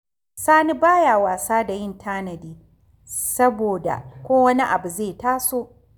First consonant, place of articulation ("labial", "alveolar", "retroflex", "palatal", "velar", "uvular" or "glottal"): alveolar